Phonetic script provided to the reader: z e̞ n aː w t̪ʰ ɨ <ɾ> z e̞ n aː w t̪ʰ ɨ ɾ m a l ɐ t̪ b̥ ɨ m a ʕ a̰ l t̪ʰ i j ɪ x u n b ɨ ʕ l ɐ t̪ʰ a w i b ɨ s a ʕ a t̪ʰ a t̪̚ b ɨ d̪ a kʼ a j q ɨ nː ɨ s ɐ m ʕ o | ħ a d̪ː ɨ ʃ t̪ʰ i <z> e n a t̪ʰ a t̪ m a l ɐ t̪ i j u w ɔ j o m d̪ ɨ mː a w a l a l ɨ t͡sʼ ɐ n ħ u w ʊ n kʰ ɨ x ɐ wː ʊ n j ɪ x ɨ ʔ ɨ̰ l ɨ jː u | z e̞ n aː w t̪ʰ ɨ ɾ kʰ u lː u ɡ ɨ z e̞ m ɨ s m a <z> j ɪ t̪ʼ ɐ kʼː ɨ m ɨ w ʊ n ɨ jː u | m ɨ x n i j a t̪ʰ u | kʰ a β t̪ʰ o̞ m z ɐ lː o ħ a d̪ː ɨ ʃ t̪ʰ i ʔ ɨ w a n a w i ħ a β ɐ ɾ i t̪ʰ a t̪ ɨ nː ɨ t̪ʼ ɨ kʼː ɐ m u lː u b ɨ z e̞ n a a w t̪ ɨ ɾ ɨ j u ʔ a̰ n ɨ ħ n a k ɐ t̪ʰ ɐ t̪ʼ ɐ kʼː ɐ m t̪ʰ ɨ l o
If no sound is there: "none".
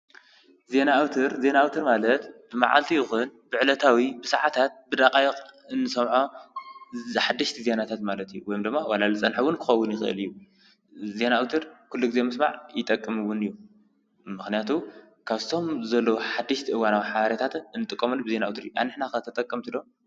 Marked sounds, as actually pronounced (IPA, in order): ɾ, z, ʕ

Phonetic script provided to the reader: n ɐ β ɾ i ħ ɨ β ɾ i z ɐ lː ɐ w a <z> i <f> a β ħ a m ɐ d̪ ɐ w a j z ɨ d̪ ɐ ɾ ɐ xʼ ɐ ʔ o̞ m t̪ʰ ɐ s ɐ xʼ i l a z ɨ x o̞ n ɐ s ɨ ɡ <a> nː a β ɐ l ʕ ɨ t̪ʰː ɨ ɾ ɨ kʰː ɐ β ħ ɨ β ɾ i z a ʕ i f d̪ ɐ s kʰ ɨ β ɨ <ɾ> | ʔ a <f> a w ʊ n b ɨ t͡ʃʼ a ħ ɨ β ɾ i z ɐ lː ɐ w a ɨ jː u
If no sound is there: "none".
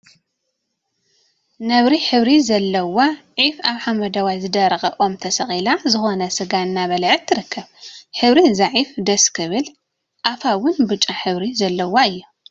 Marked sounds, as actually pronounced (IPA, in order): ʕ, f, a, l, f

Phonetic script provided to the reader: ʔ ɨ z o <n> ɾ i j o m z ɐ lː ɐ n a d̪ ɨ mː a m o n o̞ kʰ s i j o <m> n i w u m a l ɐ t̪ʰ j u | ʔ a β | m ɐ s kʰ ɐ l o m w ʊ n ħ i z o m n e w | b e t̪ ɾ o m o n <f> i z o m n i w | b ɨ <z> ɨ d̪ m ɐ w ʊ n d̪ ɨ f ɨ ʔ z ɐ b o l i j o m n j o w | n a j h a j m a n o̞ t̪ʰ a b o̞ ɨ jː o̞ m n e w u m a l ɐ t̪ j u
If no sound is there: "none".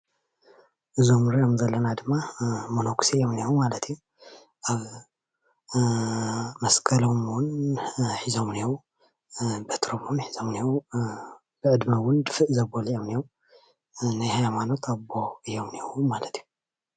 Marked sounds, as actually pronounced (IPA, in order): m, m, ħ, ʕ

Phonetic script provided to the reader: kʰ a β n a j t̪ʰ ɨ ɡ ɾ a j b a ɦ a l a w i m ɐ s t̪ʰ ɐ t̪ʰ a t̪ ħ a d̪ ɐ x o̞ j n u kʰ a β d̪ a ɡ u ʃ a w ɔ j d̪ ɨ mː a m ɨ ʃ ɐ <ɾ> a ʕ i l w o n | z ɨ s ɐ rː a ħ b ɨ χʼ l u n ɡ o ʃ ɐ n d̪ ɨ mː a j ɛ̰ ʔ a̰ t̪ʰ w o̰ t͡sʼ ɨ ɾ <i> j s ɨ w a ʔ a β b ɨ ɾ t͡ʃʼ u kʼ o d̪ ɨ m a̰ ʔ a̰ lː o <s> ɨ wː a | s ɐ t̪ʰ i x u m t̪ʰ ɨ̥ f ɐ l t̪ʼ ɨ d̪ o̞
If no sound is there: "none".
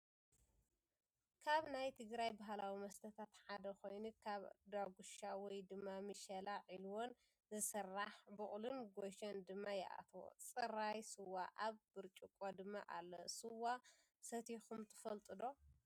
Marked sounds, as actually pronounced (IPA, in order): l, a, s

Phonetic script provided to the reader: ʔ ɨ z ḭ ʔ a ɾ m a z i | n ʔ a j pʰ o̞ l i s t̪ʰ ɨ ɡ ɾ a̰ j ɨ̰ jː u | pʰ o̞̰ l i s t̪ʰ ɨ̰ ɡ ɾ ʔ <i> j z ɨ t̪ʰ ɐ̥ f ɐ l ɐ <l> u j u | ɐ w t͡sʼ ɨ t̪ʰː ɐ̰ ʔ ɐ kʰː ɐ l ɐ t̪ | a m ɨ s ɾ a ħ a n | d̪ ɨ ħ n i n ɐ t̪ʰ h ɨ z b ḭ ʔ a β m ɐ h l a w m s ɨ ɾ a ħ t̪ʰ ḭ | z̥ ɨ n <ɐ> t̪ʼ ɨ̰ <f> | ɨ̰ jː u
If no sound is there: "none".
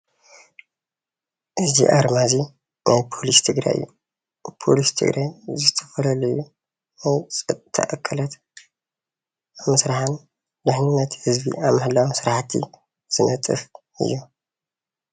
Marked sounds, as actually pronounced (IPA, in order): a, l, ɐ, f

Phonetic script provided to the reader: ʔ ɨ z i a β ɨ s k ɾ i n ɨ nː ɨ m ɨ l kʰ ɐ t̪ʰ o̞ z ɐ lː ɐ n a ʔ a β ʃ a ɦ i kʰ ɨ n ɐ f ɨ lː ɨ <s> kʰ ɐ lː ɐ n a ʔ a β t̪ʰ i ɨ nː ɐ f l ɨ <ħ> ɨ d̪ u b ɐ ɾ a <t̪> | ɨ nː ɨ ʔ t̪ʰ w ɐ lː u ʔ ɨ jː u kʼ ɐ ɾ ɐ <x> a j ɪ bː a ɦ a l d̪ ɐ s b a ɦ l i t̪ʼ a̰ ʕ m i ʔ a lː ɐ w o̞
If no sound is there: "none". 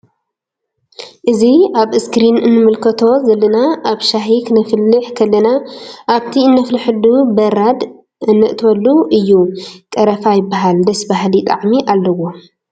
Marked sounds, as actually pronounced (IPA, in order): ħ, ħ, d̪, f

